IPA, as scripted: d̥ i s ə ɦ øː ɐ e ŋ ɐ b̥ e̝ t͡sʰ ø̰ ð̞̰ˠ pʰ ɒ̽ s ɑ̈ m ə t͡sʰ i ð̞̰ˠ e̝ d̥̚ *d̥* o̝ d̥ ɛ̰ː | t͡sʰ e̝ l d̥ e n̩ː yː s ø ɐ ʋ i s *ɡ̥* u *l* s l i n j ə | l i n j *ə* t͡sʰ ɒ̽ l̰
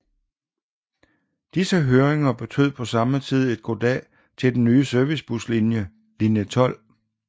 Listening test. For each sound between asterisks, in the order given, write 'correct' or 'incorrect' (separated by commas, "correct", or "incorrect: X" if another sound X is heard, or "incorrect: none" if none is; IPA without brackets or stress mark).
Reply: incorrect: ɡ̥, incorrect: b̥, incorrect: none, correct